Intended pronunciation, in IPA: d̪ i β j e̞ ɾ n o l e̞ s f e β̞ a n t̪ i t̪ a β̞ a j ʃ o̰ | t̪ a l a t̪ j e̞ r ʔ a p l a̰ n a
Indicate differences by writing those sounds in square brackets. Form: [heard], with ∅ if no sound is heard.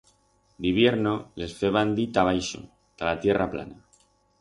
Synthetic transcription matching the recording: d̪ i β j e̞ ɾ n o l e̞ s f e β̞ a n [d̪] i t̪ a β̞ a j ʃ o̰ | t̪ a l a t̪ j e̞ r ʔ a p l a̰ n a